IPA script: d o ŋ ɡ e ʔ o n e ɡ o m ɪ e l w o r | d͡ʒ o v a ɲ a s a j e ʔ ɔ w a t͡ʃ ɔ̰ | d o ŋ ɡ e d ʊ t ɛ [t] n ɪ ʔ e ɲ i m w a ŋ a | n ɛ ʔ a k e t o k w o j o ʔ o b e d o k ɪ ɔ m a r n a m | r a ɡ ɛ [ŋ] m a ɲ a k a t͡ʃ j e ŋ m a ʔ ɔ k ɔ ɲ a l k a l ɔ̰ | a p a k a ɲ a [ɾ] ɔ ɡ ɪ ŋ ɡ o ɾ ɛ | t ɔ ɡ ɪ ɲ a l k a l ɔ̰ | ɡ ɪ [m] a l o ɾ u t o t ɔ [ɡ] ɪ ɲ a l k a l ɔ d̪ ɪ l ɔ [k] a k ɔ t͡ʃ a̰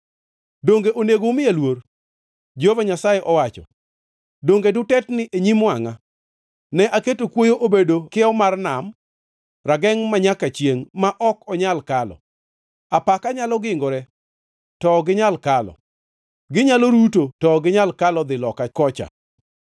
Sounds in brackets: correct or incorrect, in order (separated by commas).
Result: correct, correct, incorrect, incorrect, correct, correct